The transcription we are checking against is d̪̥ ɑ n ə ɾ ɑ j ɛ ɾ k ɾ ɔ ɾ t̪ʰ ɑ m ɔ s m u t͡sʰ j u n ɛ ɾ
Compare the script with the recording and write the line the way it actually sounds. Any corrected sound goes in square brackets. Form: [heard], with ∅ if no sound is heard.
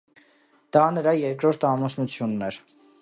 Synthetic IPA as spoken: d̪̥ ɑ n ə ɾ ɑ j ɛ ɾ k ɾ ɔ ɾ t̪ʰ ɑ m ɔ s [n] u t͡sʰ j u [nː] ɛ ɾ